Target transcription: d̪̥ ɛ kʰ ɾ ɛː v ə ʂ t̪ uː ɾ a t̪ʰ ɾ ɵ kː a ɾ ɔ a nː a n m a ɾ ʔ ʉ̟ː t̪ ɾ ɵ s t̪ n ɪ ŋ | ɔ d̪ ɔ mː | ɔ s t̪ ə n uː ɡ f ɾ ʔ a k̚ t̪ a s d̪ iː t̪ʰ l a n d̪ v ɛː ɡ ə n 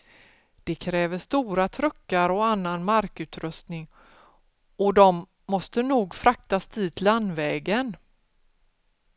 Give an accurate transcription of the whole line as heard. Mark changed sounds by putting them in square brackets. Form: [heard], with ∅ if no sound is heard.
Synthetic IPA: d̪̥ ɛ kʰ ɾ ɛː v ə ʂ t̪ uː ɾ a t̪ʰ ɾ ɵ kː a ɾ ɔ a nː a n m a ɾ [k] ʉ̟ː t̪ ɾ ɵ s t̪ n ɪ ŋ | ɔ d̪ ɔ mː | ɔ s t̪ ə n uː ɡ f ɾ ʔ a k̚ t̪ a s d̪ iː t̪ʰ l a n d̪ v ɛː ɡ ə n

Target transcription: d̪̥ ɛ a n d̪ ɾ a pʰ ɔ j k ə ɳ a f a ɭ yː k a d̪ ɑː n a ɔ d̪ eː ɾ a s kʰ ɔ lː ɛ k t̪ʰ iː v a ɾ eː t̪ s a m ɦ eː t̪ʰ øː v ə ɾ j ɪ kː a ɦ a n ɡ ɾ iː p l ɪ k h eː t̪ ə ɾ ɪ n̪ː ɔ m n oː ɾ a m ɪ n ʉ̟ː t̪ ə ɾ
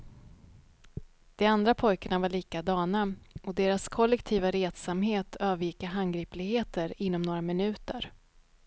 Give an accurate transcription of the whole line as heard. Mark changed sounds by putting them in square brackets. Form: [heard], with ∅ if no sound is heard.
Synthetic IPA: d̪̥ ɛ a n d̪ ɾ a pʰ ɔ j k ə ɳ a [v] a ɭ [iː] k a d̪ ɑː n a ɔ d̪ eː ɾ a s kʰ ɔ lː ɛ k t̪ʰ iː v a ɾ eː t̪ s a m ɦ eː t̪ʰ øː v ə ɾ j ɪ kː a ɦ a n ɡ ɾ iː p l ɪ [ɡ] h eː t̪ ə ɾ ɪ n̪ː ɔ m n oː ɾ a m ɪ n ʉ̟ː t̪ ə ɾ

